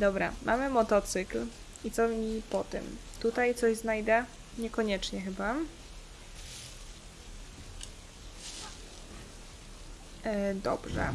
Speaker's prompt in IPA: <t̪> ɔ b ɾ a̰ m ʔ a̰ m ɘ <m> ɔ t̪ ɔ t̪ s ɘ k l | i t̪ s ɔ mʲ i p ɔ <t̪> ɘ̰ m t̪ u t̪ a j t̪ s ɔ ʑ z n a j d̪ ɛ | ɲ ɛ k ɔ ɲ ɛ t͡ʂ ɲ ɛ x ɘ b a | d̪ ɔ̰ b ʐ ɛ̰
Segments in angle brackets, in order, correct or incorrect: incorrect, correct, correct

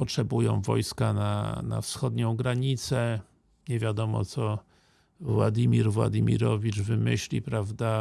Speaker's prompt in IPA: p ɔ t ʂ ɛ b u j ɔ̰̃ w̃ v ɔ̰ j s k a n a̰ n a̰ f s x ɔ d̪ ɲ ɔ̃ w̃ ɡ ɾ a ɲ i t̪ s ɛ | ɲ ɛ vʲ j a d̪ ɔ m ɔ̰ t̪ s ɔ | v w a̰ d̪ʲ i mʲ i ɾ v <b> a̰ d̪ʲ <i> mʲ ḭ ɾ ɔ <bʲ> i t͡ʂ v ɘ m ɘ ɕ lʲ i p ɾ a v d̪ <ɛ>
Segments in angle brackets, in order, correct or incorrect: incorrect, correct, incorrect, incorrect

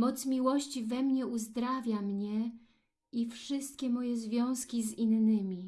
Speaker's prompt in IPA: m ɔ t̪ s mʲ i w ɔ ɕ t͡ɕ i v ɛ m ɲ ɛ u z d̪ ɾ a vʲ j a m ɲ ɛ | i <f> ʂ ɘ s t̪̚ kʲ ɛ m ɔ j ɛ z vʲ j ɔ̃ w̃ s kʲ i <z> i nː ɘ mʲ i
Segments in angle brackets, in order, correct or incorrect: correct, correct

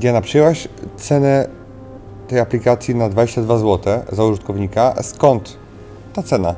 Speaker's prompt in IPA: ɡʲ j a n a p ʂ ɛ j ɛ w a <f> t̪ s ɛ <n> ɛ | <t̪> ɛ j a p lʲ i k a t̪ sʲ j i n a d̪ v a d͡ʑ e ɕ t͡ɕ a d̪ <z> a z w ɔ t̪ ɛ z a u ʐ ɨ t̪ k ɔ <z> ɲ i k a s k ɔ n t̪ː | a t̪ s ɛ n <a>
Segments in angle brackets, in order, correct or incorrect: incorrect, correct, correct, incorrect, incorrect, correct

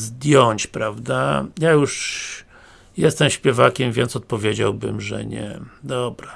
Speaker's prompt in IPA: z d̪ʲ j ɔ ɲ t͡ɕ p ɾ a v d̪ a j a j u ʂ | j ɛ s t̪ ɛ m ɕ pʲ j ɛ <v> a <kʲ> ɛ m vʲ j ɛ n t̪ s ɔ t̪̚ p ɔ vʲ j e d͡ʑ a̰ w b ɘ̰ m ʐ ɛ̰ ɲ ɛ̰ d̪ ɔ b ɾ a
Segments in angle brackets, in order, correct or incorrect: correct, correct

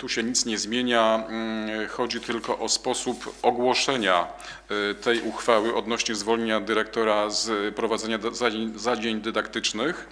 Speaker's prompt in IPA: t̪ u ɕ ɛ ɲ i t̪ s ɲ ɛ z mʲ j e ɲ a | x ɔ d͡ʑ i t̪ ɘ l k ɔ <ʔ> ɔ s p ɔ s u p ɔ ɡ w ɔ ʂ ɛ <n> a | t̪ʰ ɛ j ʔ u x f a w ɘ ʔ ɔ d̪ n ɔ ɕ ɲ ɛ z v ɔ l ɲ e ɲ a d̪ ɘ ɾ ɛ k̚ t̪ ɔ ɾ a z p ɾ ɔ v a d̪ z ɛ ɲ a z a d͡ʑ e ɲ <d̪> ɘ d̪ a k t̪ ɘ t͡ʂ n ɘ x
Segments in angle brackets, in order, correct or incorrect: correct, incorrect, correct

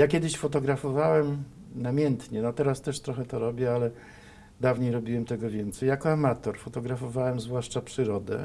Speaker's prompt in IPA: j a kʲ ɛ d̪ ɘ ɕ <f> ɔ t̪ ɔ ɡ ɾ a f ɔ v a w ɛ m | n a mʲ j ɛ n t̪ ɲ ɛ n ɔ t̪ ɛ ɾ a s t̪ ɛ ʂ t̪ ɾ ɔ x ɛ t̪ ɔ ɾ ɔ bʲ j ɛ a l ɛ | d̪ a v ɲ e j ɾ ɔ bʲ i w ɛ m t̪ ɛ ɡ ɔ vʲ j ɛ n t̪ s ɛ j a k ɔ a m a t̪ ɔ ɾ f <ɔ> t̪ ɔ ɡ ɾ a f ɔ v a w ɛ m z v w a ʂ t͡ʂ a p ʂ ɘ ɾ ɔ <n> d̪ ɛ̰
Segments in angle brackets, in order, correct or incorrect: correct, correct, incorrect

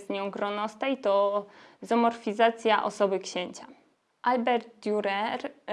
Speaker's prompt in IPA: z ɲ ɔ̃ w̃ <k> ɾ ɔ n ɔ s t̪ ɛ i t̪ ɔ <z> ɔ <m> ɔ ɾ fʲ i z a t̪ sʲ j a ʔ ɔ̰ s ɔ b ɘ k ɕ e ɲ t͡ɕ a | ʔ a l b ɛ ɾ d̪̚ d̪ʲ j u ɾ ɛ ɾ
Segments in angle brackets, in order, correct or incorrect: incorrect, correct, correct

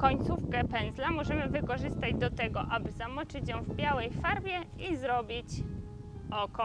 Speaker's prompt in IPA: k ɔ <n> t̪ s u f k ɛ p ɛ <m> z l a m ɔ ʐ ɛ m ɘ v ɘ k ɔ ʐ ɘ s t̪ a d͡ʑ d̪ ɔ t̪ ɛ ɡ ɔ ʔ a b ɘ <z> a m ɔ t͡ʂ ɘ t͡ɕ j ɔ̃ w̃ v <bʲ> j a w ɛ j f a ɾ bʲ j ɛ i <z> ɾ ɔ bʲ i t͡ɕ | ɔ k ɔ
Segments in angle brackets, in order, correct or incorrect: incorrect, incorrect, correct, correct, correct

